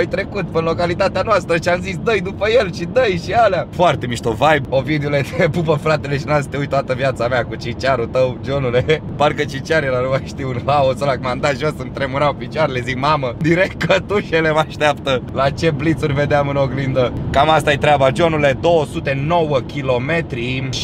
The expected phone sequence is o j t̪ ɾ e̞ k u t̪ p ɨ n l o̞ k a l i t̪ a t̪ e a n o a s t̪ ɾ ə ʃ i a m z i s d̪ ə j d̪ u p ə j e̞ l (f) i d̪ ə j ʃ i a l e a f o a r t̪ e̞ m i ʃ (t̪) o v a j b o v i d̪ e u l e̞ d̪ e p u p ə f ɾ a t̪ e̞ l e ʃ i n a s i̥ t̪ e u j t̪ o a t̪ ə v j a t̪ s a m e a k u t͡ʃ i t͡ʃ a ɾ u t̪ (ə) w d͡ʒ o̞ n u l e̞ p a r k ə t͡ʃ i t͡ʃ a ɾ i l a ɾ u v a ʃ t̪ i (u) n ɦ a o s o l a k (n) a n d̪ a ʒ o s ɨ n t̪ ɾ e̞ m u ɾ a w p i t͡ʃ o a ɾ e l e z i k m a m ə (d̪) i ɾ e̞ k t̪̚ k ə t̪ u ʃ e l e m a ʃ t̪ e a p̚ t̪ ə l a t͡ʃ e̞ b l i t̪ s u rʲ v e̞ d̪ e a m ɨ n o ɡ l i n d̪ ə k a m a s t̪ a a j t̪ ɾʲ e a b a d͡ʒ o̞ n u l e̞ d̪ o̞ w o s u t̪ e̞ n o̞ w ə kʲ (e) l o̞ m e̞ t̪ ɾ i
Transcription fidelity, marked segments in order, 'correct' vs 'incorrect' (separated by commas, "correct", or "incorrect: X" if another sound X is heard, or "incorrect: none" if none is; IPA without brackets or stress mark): incorrect: ʃ, correct, correct, correct, incorrect: m, correct, incorrect: i